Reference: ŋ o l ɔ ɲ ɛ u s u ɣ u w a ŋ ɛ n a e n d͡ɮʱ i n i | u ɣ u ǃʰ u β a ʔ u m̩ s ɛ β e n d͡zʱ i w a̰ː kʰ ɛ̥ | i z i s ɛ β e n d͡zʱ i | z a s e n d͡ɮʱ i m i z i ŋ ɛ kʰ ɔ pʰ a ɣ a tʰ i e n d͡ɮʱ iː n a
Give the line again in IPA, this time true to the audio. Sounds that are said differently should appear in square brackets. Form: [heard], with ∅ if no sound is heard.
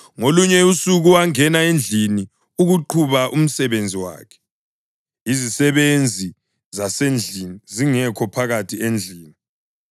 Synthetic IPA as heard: ŋ o l [u] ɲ ɛ u s u ɣ u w a ŋ ɛ n a e n d͡ɮʱ i n i | u ɣ u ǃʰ u β a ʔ u m̩ s ɛ β e n d͡zʱ i w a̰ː kʰ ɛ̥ | i z i s ɛ β e n d͡zʱ i | z a s e n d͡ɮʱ i [n] i z i ŋ ɛ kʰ ɔ pʰ a ɣ a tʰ i e n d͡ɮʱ iː n [i]